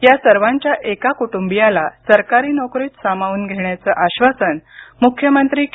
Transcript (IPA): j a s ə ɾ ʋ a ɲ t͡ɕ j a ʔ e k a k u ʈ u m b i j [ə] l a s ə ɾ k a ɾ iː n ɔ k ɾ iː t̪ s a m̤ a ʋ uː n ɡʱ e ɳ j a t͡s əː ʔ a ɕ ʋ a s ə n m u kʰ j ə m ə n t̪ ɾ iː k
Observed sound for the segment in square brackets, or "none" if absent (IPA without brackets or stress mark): a